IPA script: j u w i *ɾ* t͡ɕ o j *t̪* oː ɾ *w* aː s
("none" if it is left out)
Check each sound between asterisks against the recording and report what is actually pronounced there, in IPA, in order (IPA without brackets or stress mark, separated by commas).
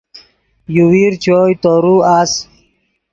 ɾ, t̪, u